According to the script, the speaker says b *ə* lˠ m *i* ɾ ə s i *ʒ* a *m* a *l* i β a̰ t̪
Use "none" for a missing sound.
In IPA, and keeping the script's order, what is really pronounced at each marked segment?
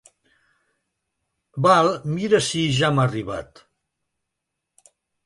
a, i, ʒ, m, r

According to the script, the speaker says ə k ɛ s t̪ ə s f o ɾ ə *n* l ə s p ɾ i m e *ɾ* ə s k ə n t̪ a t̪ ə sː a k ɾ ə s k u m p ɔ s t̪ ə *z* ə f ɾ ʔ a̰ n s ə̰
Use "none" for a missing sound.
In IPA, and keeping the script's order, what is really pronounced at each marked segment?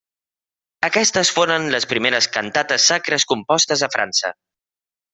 n, ɾ, z

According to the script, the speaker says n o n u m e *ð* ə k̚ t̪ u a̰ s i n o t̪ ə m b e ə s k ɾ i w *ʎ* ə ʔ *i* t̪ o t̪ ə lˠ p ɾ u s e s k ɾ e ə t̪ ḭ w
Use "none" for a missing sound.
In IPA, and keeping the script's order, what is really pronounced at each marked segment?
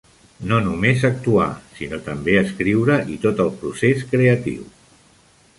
z, ɾ, i

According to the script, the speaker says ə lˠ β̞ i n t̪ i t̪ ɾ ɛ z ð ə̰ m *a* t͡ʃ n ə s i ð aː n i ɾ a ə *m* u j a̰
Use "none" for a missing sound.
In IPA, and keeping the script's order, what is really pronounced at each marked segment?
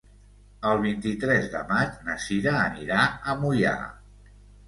a, m

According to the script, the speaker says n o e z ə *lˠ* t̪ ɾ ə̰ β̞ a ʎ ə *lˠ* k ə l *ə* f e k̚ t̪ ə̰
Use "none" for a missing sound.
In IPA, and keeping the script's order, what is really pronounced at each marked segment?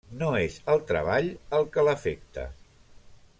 lˠ, lˠ, ə

